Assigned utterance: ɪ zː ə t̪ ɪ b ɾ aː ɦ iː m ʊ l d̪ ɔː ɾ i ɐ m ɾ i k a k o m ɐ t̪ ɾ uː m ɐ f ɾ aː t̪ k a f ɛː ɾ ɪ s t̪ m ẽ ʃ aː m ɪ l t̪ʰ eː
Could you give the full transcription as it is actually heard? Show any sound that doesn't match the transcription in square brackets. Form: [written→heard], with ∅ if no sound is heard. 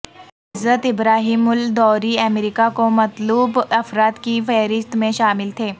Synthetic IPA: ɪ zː ə t̪ ɪ b ɾ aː ɦ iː m ʊ l d̪ ɔː ɾ i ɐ m ɾ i k a k o m ɐ t̪ [ɾ→l] uː [m→b] ɐ f ɾ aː t̪ k [a→i] f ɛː ɾ ɪ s t̪ m ẽ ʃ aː m ɪ l t̪ʰ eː